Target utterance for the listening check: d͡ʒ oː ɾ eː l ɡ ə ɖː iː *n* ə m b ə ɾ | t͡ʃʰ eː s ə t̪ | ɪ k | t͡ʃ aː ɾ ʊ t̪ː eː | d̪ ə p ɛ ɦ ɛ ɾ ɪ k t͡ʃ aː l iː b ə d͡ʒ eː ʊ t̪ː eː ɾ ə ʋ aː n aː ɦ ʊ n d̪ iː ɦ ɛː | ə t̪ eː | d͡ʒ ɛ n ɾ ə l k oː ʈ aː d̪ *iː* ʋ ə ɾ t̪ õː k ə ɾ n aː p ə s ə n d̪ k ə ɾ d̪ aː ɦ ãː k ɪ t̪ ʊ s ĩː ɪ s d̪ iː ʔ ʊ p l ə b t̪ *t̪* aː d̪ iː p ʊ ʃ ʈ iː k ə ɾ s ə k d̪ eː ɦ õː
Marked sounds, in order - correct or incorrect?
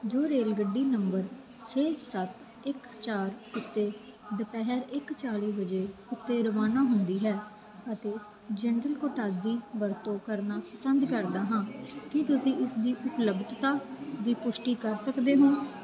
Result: correct, correct, correct

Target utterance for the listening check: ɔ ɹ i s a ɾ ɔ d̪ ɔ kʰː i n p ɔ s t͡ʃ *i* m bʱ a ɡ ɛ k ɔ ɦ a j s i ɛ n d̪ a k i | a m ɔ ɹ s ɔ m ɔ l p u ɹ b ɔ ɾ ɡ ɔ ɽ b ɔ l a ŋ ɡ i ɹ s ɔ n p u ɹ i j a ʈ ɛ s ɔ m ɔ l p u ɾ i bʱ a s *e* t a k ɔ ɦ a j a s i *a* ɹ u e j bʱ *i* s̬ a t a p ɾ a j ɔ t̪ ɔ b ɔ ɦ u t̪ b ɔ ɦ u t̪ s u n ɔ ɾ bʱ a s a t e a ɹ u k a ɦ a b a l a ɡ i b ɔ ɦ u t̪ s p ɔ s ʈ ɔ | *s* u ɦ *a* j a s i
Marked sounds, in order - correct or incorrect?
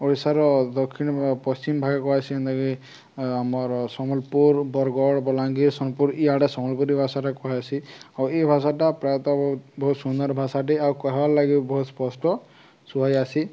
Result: correct, incorrect: a, correct, incorrect: a, correct, correct

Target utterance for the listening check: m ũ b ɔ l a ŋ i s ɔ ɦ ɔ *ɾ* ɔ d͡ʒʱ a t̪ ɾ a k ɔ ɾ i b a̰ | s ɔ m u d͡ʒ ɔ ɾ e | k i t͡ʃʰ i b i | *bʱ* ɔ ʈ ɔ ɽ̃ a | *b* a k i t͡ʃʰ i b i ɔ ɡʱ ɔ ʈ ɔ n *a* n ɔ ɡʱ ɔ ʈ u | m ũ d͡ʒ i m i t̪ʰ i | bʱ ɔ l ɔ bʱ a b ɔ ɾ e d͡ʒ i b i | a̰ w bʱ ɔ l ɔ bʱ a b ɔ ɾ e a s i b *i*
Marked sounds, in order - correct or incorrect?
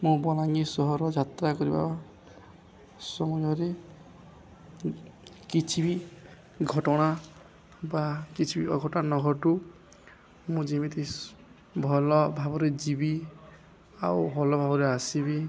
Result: correct, incorrect: ɡʱ, correct, correct, correct

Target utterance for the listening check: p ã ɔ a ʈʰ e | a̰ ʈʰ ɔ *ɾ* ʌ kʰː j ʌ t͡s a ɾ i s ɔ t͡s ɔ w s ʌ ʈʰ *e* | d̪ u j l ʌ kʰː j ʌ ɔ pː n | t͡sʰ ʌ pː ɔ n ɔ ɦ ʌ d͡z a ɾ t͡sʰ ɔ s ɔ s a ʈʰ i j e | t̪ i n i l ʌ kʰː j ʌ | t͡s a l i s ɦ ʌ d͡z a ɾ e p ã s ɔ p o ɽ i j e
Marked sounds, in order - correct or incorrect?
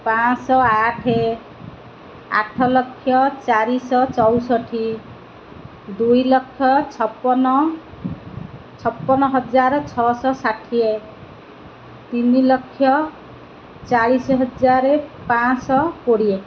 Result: incorrect: l, incorrect: i

